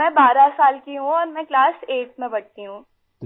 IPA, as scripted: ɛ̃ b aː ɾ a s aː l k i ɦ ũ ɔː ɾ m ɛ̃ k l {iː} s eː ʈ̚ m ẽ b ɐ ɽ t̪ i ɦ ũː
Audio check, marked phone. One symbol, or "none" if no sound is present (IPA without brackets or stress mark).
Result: aː